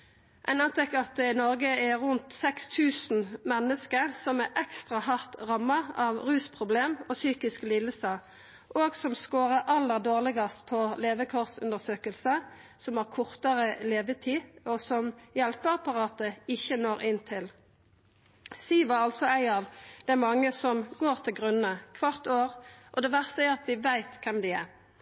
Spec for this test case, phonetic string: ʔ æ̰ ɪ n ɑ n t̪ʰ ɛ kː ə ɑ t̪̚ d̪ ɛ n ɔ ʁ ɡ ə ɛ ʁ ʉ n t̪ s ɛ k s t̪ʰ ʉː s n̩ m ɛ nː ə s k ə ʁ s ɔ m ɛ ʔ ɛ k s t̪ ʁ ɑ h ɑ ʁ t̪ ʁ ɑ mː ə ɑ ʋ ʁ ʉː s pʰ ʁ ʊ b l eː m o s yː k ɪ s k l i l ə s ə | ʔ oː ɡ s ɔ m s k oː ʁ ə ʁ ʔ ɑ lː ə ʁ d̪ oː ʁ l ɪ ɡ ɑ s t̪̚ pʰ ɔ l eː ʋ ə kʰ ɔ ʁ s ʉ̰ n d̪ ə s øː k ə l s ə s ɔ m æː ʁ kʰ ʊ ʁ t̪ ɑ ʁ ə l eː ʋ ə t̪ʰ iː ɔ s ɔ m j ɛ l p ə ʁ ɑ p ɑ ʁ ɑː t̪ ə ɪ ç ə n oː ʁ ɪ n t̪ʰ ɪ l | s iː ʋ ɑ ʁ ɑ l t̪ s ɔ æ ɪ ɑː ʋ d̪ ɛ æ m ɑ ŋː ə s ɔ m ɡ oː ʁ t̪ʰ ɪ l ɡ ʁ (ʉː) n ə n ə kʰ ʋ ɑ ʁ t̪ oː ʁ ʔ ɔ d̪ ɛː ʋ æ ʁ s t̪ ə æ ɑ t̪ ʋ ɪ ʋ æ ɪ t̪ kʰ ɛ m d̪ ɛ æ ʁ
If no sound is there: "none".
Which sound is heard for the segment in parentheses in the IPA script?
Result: ʉ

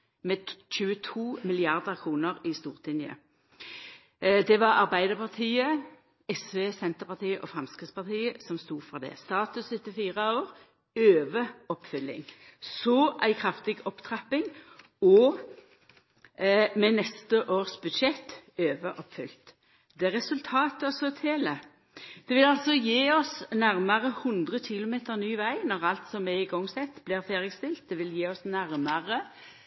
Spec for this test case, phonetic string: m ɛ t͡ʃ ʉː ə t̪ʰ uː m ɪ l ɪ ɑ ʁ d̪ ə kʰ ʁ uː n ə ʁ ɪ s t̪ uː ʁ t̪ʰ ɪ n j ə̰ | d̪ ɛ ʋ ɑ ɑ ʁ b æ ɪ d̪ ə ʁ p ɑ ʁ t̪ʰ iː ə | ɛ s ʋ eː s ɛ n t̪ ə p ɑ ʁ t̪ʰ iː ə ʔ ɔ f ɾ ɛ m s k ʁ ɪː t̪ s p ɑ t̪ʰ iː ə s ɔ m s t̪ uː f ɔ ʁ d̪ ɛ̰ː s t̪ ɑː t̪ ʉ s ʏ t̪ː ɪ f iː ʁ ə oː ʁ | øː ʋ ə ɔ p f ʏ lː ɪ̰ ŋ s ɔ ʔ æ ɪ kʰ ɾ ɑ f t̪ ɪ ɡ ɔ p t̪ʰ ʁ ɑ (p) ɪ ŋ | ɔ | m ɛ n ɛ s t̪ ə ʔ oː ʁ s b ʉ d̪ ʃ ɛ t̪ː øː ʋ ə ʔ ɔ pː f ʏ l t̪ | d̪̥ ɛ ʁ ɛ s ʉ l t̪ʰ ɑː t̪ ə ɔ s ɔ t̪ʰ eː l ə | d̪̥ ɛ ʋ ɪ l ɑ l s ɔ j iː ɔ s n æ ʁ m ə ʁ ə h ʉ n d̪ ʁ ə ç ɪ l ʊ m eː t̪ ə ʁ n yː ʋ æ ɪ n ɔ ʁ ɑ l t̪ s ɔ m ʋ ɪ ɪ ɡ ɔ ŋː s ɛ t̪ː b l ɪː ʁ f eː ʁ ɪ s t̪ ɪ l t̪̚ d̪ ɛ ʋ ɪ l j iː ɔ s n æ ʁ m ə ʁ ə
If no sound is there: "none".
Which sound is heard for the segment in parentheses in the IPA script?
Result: p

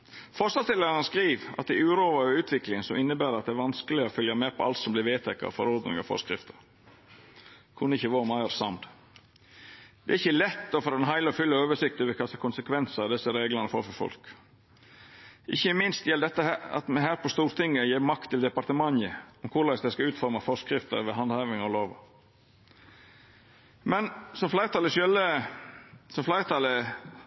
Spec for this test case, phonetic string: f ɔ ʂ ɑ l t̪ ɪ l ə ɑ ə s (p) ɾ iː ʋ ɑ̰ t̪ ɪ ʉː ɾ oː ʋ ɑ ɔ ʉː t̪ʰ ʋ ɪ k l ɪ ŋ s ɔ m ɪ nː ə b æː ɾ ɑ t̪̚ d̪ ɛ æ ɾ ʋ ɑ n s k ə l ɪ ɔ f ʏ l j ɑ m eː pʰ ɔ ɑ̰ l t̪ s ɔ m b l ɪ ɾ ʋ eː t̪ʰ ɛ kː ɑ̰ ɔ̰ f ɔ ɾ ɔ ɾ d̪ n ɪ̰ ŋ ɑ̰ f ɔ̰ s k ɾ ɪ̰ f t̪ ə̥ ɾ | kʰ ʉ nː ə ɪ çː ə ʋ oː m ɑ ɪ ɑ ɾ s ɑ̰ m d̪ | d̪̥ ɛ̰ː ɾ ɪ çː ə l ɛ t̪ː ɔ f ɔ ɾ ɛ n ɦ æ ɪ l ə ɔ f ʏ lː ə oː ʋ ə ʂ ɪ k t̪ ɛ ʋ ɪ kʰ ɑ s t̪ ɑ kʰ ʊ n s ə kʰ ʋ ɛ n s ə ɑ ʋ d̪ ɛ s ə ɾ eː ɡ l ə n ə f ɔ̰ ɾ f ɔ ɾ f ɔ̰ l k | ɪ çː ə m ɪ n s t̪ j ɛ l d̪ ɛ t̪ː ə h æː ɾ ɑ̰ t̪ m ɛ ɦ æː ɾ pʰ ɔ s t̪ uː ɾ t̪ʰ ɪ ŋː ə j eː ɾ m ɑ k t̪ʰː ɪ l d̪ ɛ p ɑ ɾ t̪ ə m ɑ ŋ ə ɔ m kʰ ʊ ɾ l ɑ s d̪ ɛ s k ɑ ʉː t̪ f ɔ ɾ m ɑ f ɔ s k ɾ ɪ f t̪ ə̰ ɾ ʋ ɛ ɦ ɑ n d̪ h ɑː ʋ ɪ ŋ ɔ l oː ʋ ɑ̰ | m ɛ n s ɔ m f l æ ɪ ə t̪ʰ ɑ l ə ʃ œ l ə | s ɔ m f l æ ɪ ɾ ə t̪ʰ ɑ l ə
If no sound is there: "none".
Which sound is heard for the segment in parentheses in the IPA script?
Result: k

